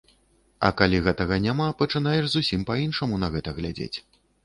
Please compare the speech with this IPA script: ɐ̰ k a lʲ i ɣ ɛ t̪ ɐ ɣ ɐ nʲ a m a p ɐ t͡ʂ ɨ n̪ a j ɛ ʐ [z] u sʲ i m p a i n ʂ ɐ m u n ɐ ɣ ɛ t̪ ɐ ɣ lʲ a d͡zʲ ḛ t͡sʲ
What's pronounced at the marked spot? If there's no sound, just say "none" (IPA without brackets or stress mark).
z